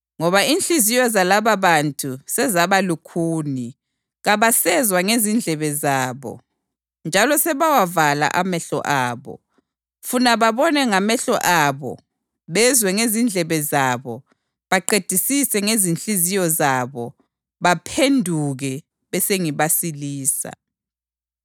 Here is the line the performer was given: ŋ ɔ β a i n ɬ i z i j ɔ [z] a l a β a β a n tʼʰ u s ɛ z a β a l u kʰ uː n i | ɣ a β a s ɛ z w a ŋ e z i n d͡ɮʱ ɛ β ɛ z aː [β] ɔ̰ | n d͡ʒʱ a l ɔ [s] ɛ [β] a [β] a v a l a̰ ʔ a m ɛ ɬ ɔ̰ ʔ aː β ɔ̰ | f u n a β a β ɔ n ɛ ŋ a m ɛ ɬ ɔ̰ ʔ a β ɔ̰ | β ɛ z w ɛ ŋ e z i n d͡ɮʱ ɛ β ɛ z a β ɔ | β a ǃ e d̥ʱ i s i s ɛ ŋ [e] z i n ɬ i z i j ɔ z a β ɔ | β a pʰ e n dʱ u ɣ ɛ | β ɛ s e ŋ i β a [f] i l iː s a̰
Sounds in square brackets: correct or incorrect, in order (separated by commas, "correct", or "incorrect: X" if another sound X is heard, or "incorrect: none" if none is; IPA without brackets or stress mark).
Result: correct, correct, correct, correct, incorrect: w, correct, incorrect: s